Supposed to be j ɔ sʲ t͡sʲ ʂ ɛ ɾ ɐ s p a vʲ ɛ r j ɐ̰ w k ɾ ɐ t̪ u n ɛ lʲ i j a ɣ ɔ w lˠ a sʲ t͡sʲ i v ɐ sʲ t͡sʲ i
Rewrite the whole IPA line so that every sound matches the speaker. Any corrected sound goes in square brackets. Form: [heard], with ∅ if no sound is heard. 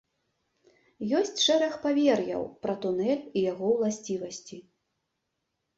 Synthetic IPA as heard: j ɔ sʲ t͡sʲ ʂ ɛ ɾ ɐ [x] p a vʲ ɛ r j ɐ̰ w [p] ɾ ɐ t̪ u n ɛ lʲ i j a ɣ ɔ w lˠ a sʲ t͡sʲ i v ɐ sʲ t͡sʲ i